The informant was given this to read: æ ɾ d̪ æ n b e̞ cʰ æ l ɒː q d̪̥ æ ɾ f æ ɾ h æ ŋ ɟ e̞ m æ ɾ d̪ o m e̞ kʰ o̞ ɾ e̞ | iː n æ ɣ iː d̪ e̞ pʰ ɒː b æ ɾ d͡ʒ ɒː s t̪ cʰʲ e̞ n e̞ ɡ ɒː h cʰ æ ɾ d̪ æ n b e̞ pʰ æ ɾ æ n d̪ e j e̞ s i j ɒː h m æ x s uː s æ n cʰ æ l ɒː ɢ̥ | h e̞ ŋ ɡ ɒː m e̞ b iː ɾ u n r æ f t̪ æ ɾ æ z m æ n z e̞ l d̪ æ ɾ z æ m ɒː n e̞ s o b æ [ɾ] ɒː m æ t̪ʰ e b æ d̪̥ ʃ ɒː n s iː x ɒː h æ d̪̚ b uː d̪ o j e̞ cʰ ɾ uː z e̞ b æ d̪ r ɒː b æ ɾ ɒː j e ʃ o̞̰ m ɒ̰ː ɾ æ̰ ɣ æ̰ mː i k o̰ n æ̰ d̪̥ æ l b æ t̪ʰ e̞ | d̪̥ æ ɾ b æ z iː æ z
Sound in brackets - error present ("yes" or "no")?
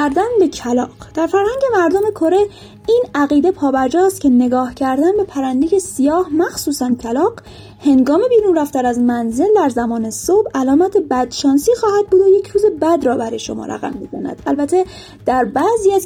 yes